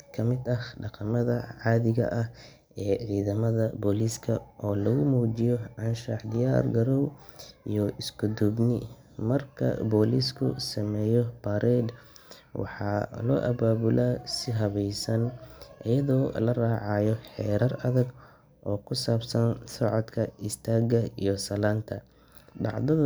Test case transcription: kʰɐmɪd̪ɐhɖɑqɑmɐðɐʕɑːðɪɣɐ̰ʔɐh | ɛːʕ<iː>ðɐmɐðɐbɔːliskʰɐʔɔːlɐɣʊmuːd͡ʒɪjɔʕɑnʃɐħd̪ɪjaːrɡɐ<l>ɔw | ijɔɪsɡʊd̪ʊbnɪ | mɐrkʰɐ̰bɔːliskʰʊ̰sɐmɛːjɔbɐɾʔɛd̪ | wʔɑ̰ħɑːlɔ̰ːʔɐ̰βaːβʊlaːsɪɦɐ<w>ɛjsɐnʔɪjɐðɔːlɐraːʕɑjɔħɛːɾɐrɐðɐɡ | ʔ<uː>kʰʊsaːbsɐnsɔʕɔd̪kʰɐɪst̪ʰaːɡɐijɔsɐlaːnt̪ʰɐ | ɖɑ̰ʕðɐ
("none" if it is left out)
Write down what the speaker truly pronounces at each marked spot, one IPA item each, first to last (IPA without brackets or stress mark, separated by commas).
iː, ɾ, β, ɔː